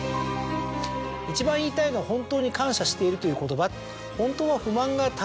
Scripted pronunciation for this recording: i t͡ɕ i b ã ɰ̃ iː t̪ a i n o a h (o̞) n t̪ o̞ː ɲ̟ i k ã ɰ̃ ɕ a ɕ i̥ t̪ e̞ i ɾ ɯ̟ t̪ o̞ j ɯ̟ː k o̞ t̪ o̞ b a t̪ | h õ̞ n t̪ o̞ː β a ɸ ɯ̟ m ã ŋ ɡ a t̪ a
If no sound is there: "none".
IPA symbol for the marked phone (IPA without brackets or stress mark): õ̞